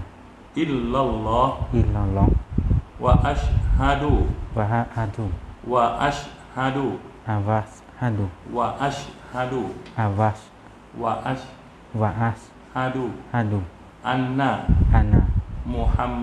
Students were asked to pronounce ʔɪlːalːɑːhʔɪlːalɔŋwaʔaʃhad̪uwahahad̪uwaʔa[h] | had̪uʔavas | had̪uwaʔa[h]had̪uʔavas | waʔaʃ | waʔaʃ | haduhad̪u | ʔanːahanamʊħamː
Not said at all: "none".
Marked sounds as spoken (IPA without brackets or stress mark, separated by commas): ʃ, ʃ